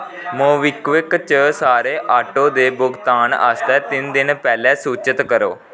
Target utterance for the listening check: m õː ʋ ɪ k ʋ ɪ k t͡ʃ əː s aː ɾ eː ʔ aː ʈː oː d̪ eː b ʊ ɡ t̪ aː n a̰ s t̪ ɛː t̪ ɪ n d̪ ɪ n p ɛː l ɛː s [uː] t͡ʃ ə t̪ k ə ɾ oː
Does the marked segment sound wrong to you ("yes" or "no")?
no